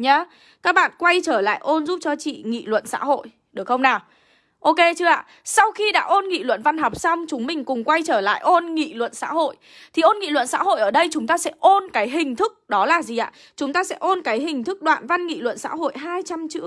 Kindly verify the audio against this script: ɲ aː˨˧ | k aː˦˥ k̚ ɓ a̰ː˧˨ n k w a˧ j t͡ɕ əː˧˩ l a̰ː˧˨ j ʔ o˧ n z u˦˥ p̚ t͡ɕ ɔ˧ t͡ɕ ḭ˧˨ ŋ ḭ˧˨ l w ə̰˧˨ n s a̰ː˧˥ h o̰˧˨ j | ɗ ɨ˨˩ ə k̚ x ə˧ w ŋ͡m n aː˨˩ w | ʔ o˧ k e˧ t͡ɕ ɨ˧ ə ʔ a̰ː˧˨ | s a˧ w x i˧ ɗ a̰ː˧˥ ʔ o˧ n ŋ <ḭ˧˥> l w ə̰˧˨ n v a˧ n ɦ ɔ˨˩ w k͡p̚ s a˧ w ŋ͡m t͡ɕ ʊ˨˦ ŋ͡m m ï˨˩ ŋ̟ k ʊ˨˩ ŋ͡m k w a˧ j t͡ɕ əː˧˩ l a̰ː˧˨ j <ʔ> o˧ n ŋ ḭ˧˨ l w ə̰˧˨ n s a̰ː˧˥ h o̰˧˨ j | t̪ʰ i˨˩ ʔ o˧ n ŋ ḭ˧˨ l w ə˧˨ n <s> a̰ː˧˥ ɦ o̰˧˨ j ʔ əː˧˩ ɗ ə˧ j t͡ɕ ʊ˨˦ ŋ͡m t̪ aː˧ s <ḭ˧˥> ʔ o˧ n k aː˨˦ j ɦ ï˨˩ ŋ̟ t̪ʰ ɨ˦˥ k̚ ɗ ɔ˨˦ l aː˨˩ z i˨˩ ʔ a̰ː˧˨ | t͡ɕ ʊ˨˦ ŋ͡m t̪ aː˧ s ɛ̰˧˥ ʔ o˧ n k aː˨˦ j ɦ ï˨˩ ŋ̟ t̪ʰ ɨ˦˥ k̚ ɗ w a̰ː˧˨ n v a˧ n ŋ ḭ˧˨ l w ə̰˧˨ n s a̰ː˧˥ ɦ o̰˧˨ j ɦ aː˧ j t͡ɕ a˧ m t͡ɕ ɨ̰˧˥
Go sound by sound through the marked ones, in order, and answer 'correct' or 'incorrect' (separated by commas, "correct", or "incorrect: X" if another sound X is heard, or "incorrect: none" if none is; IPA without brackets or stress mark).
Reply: incorrect: ḭ˧˨, correct, correct, incorrect: ɛ̰˧˥